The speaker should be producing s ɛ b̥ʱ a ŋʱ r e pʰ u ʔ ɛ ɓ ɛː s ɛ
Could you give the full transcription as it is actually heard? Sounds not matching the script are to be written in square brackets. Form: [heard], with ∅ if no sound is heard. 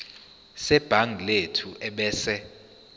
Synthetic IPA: s ɛ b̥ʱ a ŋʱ [l] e [tʰ] u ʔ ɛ ɓ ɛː s ɛ